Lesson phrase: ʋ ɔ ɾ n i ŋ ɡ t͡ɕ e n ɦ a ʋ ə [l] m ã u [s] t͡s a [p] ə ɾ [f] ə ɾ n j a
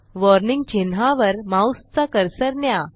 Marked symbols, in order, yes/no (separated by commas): no, yes, no, no